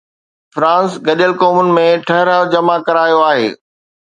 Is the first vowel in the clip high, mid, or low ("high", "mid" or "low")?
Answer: low